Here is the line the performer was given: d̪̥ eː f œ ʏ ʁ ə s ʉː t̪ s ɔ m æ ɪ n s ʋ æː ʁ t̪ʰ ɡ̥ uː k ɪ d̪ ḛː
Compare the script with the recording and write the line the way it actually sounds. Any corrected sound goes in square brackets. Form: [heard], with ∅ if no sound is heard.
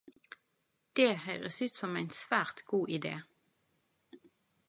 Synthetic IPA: d̪̥ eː [h] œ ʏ ʁ ə s ʉː t̪ s ɔ m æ ɪ n s ʋ æː ʁ [t̪] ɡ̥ uː [ʔ] ɪ d̪ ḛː